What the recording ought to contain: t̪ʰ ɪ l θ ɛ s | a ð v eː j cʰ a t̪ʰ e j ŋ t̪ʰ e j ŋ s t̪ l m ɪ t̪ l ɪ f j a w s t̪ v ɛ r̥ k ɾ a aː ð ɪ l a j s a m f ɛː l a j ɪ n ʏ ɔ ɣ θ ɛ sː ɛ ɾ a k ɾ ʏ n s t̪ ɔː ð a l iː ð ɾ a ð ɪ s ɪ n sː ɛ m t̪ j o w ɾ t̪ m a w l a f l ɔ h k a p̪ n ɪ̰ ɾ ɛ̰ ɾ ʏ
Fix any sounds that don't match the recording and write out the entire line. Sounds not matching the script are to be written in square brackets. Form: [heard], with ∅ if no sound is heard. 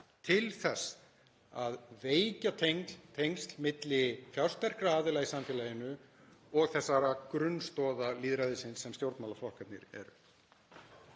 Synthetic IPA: t̪ʰ ɪ l θ ɛ s | a ð v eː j [c] a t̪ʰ e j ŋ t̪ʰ e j ŋ s t̪ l m ɪ t̪ l ɪ f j a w s t̪ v ɛ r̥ k ɾ a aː ð ɪ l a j s a m f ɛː l a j ɪ n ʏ ɔ ɣ θ ɛ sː [a] ɾ a k ɾ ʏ n s t̪ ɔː ð a l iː ð ɾ a ð ɪ s ɪ n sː ɛ m t̪ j o w ɾ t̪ m a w l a f l ɔ h k a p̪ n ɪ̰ ɾ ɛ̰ ɾ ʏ